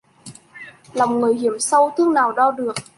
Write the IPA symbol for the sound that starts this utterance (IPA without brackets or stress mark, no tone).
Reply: l